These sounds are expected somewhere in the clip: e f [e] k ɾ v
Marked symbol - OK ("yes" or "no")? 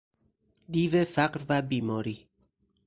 no